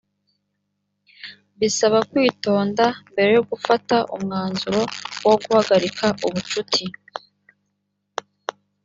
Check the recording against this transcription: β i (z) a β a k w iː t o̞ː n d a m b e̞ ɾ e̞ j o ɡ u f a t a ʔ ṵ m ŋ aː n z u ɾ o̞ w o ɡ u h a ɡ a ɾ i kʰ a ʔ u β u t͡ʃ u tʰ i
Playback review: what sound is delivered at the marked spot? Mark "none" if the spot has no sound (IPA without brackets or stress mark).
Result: s